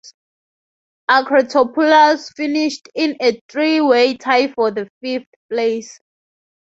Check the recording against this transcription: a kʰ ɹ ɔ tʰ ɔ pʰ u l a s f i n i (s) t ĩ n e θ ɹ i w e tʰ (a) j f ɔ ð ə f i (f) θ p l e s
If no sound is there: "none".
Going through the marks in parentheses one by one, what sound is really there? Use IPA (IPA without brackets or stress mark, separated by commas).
ʃ, a, f